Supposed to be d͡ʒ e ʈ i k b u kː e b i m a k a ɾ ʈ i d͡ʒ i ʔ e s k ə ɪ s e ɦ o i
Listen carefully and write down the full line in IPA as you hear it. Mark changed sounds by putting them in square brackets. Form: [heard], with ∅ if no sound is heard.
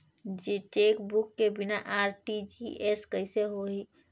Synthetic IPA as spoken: d͡ʒ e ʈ [e] k b u kː e b i [n] a [ʔ] a ɾ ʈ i d͡ʒ i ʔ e s k ə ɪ s e ɦ o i

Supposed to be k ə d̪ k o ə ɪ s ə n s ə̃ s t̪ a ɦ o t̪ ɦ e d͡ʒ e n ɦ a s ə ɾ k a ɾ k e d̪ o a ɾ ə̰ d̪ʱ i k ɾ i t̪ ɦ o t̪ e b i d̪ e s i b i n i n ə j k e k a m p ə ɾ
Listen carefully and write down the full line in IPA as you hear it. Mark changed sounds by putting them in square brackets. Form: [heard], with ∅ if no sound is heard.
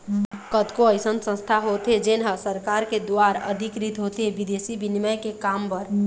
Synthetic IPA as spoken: k ə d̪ k o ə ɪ s ə n s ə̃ s [t̪ʰ] a ɦ o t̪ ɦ e d͡ʒ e n ɦ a s ə ɾ k a ɾ k e d̪ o a ɾ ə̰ d̪ʱ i k ɾ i t̪ ɦ o t̪ e b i d̪ e s i b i n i [m] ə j k e k a m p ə ɾ

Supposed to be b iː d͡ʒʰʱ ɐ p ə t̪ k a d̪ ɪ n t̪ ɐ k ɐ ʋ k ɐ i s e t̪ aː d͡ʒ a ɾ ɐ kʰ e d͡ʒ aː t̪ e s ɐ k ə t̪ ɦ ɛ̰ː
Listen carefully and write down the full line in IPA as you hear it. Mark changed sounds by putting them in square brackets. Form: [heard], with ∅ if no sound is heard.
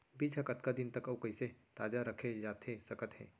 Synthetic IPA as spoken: b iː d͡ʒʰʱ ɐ [k] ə t̪ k a d̪ ɪ n t̪ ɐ k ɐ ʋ k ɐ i s e t̪ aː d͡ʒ a ɾ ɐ kʰ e d͡ʒ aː t̪ e s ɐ k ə t̪ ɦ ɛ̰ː

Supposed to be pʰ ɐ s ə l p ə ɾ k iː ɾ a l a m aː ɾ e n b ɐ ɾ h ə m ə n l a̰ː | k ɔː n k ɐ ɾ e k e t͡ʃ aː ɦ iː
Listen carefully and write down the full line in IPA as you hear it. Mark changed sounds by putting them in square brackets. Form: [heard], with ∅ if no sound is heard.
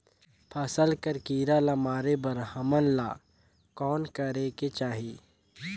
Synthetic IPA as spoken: pʰ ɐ s ə l [k] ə ɾ k iː ɾ a l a m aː ɾ e [∅] b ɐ ɾ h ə m ə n l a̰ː | k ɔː n k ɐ ɾ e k e t͡ʃ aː ɦ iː

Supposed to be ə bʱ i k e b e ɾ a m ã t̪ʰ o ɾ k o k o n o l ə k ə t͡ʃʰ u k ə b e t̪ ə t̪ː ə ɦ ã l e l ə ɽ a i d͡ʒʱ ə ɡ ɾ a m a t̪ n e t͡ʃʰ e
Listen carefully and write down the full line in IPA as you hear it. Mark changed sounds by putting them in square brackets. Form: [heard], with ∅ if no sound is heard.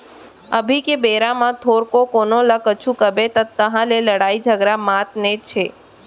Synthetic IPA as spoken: ə bʱ i k e b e ɾ a m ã t̪ʰ o ɾ k o k o n o l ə k ə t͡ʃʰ u k ə b e t̪ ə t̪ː ə ɦ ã l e l ə ɽ a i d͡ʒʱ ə ɡ ɾ a m a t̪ n e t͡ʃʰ e

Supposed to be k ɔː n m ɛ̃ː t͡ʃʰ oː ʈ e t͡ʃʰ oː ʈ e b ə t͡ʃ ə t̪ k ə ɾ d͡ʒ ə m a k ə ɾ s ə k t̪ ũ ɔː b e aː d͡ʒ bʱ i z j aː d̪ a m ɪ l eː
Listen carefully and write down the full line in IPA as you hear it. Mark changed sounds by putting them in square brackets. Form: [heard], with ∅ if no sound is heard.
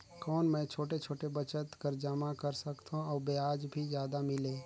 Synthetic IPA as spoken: k ɔː n m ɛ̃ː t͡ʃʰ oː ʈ e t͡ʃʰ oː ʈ e b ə t͡ʃ ə t̪ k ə ɾ d͡ʒ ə m a k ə ɾ s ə k t̪ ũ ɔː b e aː d͡ʒ bʱ i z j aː d̪ a m ɪ l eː

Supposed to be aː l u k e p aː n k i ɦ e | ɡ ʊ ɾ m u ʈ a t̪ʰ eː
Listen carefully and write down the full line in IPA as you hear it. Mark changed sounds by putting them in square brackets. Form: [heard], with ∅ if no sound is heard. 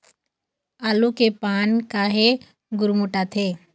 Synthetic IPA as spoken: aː l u k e p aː n k [a] ɦ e | ɡ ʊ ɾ m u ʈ a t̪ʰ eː

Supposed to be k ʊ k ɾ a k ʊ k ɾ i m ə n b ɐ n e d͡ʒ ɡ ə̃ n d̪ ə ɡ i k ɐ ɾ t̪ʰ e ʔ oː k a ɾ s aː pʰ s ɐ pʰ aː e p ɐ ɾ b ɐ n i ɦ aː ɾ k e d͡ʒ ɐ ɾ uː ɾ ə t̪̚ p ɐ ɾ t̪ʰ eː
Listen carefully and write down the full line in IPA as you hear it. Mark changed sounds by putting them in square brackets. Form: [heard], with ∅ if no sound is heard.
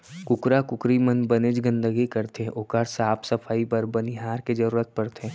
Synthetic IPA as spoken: k ʊ k ɾ a k ʊ k ɾ i m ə n b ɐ n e d͡ʒ ɡ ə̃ n d̪ ə ɡ i k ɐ ɾ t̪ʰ e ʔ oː k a ɾ s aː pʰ s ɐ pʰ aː [i] p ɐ ɾ b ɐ n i ɦ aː ɾ k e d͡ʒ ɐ ɾ uː ɾ ə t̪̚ p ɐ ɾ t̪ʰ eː

